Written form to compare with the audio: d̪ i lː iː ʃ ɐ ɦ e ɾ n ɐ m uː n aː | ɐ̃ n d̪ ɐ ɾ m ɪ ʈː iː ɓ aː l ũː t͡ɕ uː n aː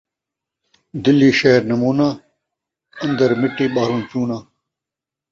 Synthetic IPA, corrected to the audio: d̪ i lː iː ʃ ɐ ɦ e ɾ n ɐ m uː n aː | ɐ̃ n d̪ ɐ ɾ m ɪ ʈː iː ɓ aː ɾ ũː t͡ɕ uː n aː